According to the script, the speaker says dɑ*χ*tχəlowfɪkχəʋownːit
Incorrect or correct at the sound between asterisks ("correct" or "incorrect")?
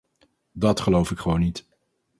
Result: incorrect